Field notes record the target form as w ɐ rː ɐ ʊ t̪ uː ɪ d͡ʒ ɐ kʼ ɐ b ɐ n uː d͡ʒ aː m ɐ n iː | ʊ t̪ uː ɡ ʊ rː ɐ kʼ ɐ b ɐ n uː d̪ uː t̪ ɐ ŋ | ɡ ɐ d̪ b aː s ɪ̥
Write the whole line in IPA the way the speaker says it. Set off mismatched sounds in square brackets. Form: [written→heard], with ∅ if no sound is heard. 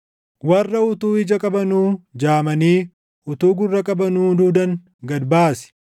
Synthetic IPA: w ɐ rː ɐ ʊ t̪ uː ɪ d͡ʒ ɐ kʼ ɐ b ɐ n uː d͡ʒ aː m ɐ n iː | ʊ t̪ uː ɡ ʊ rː ɐ kʼ ɐ b ɐ n uː d̪ uː [t̪→d̪] ɐ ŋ | ɡ ɐ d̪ b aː s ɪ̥